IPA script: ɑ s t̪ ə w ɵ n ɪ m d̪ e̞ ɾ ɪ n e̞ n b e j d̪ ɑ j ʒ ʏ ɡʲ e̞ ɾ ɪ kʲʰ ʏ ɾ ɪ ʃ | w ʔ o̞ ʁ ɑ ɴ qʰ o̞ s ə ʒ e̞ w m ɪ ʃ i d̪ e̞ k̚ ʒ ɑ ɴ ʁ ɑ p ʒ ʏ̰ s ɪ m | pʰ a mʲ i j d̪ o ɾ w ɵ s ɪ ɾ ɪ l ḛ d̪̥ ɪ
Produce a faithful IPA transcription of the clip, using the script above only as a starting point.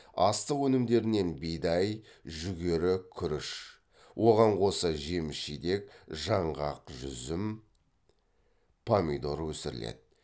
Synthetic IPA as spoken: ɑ s t̪ ə w ɵ n ɪ m d̪ e̞ ɾ ɪ n e̞ n b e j d̪ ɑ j ʒ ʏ ɡʲ e̞ ɾ ɪ kʲʰ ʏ ɾ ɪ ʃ | w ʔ o̞ ʁ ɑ ɴ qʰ o̞ s ə ʒ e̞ m ɪ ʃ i d̪ e̞ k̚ ʒ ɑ ɴ ʁ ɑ q ʒ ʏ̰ z ɪ m | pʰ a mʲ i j d̪ o ɾ w ɵ s ɪ ɾ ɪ l ḛ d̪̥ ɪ